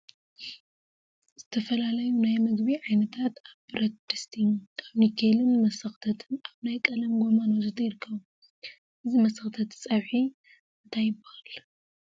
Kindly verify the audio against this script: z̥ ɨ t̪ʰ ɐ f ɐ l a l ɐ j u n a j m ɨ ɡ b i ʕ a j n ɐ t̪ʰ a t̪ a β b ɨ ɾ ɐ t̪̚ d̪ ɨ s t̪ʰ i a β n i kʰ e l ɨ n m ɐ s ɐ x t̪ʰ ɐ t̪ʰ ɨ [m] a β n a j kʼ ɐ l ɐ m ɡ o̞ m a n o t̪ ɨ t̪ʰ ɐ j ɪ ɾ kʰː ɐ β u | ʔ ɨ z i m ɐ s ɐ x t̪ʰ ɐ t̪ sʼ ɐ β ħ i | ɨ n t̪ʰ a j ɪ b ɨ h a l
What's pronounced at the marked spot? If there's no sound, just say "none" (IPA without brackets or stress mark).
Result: n